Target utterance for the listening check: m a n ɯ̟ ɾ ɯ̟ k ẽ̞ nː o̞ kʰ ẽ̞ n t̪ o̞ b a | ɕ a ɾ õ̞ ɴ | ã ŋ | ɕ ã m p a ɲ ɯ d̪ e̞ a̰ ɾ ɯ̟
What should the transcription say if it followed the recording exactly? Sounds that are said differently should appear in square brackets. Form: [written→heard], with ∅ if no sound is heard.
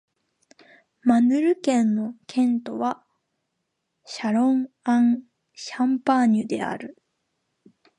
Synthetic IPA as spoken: m a n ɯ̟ ɾ ɯ̟ k ẽ̞ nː o̞ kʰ ẽ̞ n t̪ o̞ [b→β] a | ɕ a ɾ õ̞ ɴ | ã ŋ | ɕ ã m p a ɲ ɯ d̪ e̞ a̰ ɾ ɯ̟